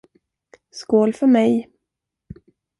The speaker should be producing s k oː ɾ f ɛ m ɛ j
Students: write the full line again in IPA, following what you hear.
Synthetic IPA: s k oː l f œ m ɛ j